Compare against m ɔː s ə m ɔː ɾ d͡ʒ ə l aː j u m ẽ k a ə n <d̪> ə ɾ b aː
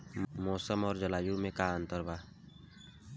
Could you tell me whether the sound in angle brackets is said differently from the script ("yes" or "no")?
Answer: yes